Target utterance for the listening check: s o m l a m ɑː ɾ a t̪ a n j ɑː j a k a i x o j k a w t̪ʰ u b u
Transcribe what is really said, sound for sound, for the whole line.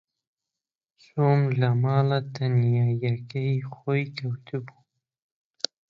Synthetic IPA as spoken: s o m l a m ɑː l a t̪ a n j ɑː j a k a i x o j k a w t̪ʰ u b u